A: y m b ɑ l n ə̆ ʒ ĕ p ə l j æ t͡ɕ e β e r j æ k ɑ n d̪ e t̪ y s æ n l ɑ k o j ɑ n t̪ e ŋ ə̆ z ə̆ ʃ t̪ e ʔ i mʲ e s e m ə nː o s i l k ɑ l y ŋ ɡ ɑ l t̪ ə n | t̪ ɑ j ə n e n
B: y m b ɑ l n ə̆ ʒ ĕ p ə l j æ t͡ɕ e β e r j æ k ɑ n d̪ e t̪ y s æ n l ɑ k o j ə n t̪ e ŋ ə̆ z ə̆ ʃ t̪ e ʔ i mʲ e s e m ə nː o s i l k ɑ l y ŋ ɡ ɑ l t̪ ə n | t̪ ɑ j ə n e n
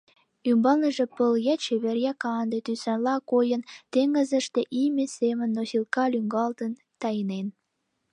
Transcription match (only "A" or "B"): B